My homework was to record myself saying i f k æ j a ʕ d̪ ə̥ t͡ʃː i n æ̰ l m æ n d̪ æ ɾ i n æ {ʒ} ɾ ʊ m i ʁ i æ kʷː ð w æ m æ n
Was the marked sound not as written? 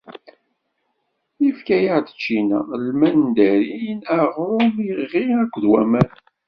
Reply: yes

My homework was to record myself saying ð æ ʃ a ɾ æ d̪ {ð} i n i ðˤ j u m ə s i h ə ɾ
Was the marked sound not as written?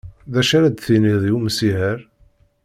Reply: yes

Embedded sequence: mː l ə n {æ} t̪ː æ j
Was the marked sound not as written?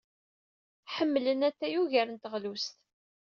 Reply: no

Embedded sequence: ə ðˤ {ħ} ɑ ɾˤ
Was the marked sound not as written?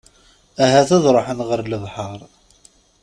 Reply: no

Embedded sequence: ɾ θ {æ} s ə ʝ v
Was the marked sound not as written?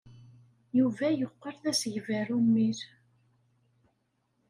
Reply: no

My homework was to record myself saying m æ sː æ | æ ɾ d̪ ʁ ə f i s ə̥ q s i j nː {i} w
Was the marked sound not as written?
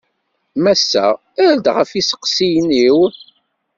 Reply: no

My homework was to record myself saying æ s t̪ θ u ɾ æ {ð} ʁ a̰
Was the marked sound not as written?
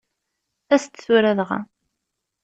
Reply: no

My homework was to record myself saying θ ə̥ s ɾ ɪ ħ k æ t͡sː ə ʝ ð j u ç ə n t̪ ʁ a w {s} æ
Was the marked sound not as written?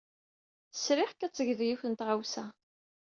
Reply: no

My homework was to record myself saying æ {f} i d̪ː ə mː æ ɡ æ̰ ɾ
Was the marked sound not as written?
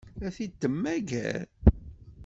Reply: yes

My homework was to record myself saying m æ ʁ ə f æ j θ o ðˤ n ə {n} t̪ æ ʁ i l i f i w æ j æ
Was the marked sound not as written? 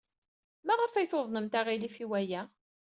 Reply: yes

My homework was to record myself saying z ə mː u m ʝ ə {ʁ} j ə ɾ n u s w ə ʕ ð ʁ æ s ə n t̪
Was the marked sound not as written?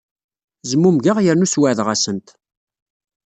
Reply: no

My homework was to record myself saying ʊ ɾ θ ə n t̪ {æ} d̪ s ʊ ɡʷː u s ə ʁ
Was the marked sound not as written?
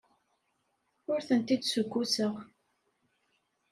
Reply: yes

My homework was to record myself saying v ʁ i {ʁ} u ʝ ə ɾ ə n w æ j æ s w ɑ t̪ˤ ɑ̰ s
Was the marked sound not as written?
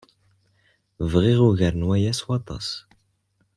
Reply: no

